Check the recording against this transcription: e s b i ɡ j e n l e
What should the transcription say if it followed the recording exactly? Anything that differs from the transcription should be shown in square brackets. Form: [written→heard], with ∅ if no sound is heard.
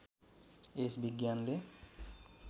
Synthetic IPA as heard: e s b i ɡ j [e→a] n l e